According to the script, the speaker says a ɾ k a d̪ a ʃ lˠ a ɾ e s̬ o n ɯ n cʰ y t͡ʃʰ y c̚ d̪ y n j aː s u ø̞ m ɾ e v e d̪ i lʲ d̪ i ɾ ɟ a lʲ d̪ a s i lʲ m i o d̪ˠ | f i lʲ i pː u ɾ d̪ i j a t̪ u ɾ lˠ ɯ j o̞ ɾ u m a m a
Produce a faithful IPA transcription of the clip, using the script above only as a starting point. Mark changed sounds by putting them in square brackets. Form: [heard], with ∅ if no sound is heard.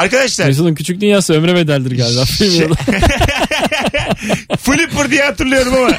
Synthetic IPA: a ɾ k a d̪ a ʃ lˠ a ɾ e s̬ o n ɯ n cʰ y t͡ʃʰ y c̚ d̪ y n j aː s [ɯ] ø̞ m ɾ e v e d̪ [æ] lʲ d̪ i ɾ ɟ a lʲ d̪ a [f] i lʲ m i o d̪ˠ | f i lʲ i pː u ɾ d̪ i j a t̪ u ɾ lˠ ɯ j o̞ ɾ u m a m a